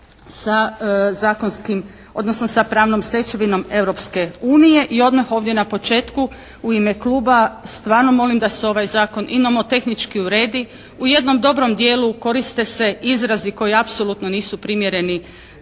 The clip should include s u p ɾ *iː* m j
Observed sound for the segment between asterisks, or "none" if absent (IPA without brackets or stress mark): i